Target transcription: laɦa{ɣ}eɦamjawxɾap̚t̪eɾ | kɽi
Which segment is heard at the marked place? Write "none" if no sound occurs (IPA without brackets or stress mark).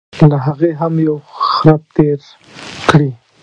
ɣ